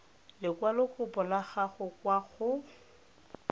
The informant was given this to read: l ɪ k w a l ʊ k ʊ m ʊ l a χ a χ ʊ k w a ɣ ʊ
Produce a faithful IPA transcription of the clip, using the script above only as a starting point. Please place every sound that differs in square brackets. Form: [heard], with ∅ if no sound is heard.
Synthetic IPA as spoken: l ɪ k w a l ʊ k ʊ [b] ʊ l a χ a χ ʊ k w a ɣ ʊ